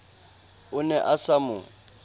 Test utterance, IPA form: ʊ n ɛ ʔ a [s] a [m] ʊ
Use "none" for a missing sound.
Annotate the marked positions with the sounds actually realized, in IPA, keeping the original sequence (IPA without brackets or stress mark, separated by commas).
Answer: s, m